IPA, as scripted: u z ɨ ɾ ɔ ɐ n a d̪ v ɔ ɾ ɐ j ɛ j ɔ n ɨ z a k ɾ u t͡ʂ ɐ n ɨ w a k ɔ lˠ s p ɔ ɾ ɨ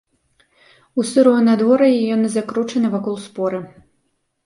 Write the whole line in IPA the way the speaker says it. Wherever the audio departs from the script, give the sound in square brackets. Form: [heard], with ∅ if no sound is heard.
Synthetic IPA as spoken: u [s] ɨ ɾ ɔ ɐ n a d̪ v ɔ ɾ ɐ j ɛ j ɔ n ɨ z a k ɾ u t͡ʂ ɐ n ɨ [v] a k ɔ lˠ s p ɔ ɾ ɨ